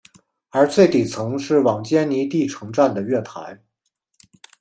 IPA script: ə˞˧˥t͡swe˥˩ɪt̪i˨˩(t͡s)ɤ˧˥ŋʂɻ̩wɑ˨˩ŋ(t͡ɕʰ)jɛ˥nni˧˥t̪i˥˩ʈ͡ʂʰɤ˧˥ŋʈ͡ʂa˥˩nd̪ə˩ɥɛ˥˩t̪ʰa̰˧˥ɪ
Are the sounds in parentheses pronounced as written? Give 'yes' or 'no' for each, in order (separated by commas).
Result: no, no